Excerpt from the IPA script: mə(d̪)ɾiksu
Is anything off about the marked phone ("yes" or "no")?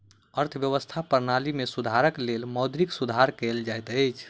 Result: no